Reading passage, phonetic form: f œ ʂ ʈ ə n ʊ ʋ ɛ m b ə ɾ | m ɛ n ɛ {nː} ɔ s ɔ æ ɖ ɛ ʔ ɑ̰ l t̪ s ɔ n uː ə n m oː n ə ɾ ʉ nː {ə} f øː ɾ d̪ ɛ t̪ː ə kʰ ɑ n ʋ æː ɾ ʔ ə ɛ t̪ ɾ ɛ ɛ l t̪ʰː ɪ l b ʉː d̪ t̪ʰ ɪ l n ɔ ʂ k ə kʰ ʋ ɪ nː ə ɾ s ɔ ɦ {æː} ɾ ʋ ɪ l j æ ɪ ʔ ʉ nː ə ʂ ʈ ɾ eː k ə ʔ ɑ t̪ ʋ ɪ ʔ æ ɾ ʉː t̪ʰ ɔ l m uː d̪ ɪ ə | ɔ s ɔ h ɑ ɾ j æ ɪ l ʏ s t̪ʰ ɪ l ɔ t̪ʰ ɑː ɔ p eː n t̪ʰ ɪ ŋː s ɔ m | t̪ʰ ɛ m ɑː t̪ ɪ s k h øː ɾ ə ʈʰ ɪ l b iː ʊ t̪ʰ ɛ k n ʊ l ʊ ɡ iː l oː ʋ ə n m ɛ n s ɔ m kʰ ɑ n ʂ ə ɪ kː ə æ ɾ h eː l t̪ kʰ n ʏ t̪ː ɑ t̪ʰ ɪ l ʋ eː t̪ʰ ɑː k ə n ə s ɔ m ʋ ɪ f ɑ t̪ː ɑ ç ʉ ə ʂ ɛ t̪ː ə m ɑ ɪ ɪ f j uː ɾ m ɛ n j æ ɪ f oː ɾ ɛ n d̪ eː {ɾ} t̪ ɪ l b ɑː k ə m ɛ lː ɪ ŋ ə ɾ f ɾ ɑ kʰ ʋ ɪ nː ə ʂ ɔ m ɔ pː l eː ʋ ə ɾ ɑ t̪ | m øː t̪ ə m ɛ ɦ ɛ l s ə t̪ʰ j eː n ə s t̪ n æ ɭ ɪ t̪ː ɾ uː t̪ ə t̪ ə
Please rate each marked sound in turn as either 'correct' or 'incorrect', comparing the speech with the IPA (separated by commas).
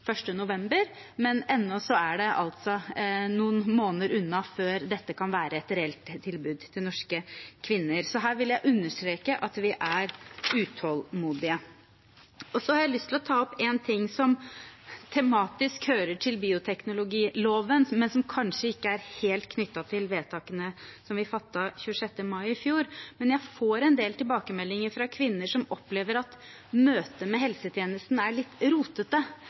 correct, incorrect, correct, incorrect